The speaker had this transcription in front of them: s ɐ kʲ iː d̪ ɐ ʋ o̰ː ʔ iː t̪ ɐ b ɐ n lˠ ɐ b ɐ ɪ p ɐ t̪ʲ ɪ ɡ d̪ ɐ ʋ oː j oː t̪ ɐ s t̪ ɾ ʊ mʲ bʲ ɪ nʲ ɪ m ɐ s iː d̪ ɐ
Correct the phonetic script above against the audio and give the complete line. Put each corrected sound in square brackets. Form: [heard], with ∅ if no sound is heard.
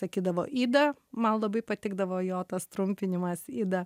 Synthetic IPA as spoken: s ɐ kʲ iː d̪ ɐ ʋ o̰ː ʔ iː [d̪] ɐ [m] ɐ n lˠ ɐ b ɐ ɪ p ɐ t̪ʲ ɪ ɡ d̪ ɐ ʋ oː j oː t̪ ɐ s t̪ ɾ ʊ mʲ [pʲ] ɪ nʲ ɪ m ɐ s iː d̪ ɐ

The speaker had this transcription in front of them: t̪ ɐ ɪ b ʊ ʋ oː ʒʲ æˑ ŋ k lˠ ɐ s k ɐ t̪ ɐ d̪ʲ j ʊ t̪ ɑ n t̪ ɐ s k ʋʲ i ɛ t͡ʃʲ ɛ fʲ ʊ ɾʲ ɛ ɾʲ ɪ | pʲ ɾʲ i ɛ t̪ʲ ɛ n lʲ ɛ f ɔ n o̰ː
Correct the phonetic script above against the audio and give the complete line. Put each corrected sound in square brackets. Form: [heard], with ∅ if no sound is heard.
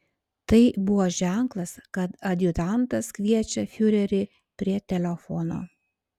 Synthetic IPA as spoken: t̪ ɐ ɪ b ʊ ʋ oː ʒʲ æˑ ŋ k lˠ ɐ s k ɐ t̪ ɐ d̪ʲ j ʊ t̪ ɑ n t̪ ɐ s k ʋʲ i ɛ t͡ʃʲ ɛ fʲ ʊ ɾʲ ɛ ɾʲ ɪ | pʲ ɾʲ i ɛ t̪ʲ ɛ [∅] lʲ ɛ f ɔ n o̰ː

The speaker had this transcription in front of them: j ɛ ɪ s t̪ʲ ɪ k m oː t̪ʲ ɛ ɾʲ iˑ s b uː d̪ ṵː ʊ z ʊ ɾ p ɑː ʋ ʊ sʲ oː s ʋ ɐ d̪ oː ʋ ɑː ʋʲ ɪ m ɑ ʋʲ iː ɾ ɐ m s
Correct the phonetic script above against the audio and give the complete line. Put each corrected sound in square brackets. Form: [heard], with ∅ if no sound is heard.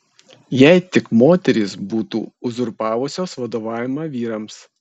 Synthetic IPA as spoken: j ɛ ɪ [∅] t̪ʲ ɪ k m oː t̪ʲ ɛ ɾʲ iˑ s b uː [t̪] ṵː ʊ z ʊ ɾ p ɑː ʋ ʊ sʲ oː s ʋ ɐ d̪ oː ʋ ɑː ʋʲ ɪ m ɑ ʋʲ iː ɾ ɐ m s

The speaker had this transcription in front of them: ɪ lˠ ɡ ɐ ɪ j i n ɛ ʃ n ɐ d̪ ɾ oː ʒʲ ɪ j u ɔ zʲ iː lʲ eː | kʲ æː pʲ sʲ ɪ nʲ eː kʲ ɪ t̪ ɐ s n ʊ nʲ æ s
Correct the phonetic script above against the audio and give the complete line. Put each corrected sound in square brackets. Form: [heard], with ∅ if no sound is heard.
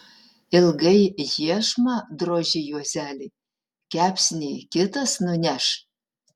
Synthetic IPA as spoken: ɪ lˠ ɡ ɐ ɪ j i [∅] ɛ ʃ [m] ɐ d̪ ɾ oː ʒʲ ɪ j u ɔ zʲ [æː] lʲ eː | kʲ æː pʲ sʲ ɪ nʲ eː kʲ ɪ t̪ ɐ s n ʊ nʲ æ [ʃ]

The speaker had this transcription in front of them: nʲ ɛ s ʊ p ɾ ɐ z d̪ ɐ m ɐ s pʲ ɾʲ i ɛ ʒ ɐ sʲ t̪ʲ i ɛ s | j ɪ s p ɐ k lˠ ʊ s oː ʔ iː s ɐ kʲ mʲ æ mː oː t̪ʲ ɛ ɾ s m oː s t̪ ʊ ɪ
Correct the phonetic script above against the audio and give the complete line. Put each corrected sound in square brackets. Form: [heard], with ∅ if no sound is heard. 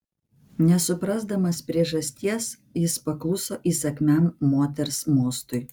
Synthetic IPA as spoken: nʲ ɛ s ʊ p ɾ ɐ z d̪ ɐ m ɐ s pʲ ɾʲ i ɛ ʒ ɐ sʲ t̪ʲ i ɛ s | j ɪ s p ɐ k lˠ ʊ s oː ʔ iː s ɐ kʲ mʲ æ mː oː t̪ʲ ɛ ɾ s m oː s t̪ ʊ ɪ

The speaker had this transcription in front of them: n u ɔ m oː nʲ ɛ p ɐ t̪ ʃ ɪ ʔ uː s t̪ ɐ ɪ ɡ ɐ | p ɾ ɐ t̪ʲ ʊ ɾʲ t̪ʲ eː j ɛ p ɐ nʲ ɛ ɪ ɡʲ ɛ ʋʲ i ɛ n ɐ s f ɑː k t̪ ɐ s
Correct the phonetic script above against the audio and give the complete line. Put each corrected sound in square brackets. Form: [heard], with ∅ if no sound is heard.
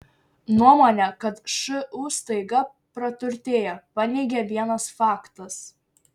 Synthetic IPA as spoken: n u ɔ m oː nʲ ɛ [k] ɐ t̪ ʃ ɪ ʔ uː s t̪ ɐ ɪ ɡ ɐ | p ɾ ɐ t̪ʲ ʊ ɾʲ t̪ʲ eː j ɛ p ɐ nʲ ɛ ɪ ɡʲ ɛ ʋʲ i ɛ n ɐ s f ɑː k t̪ ɐ s

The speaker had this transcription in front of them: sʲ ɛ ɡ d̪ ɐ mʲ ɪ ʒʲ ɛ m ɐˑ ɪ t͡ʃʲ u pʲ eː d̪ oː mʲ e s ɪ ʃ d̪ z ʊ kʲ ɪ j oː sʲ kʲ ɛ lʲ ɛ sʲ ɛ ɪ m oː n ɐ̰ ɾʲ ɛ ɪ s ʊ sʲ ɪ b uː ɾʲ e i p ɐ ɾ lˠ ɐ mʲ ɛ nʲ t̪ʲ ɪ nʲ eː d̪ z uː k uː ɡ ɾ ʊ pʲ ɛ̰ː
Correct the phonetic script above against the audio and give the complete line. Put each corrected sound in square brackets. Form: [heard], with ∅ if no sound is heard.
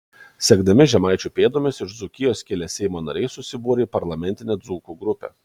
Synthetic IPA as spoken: sʲ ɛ ɡ d̪ ɐ mʲ ɪ ʒʲ ɛ m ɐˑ ɪ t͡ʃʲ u pʲ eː d̪ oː mʲ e s ɪ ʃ d̪ z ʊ kʲ ɪ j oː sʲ kʲ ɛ lʲ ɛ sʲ ɛ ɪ m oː n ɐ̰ ɾʲ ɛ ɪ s ʊ sʲ ɪ b uː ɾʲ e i p ɐ ɾ lˠ ɐ mʲ ɛ nʲ t̪ʲ ɪ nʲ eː d̪ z uː k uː ɡ ɾ ʊ pʲ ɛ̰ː

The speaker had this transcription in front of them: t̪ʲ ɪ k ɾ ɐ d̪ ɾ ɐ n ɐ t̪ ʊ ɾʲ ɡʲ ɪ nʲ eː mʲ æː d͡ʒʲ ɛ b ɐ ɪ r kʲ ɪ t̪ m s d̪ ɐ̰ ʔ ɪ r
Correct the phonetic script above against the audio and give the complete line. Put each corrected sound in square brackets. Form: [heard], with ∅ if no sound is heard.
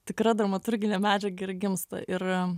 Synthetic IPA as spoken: t̪ʲ ɪ k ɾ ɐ d̪ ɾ ɐ [m] ɐ t̪ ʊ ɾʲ ɡʲ ɪ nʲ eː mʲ æː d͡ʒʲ ɛ [ɡ] ɐ ɪ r [ɡʲ] ɪ [∅] m s [t̪] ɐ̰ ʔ ɪ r

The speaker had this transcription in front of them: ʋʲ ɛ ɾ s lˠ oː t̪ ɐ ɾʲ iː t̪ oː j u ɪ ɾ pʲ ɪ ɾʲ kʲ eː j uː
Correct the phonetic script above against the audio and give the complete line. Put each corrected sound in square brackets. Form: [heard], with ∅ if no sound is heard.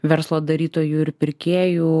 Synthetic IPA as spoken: ʋʲ ɛ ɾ s lˠ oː [d̪] ɐ ɾʲ iː t̪ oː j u ɪ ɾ pʲ ɪ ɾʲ kʲ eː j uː

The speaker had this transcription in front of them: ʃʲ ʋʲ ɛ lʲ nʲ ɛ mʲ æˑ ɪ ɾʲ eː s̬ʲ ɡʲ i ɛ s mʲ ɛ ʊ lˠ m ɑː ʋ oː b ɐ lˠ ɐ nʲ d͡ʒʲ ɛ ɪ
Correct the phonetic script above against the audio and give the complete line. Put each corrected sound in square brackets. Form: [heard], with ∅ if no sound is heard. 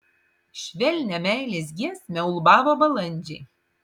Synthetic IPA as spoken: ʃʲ ʋʲ ɛ lʲ nʲ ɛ mʲ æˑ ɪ [lʲ] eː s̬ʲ ɡʲ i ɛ s mʲ ɛ ʊ lˠ [b] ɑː ʋ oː b ɐ lˠ ɐ nʲ d͡ʒʲ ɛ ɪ

